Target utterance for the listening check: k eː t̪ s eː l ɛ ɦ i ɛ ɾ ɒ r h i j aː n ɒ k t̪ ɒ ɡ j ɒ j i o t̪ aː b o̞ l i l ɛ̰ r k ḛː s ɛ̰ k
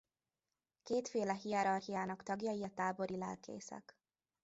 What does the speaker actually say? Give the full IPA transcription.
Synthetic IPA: k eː t̪ f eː l ɛ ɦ i ɛ ɾ ɒ r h i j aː n ɒ k t̪ ɒ ɡ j ɒ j i ɒ t̪ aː b o̞ ɾ i l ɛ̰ l k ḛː s ɛ̰ k